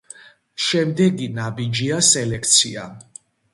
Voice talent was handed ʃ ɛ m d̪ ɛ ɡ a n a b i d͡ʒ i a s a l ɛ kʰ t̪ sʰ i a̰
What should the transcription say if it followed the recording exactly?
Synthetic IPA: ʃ ɛ m d̪ ɛ ɡ i n a b i d͡ʒ i a s ɛ l ɛ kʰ t̪ sʰ i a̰